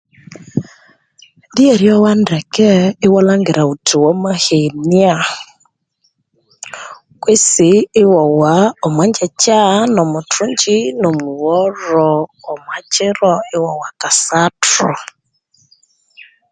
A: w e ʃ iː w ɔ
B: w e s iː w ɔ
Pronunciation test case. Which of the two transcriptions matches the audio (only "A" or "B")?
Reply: B